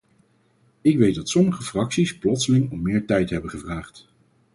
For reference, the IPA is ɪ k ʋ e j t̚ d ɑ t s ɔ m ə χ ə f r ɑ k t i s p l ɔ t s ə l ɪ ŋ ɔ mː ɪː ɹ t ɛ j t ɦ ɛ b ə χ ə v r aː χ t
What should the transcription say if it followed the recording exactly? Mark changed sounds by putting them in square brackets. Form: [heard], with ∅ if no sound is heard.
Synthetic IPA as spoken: ɪ k ʋ e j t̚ d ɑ t s ɔ m ə χ ə f r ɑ k [s] i s p l ɔ t s ə l ɪ ŋ ɔ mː ɪː ɹ t ɛ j t ɦ ɛ b ə χ ə v r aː χ t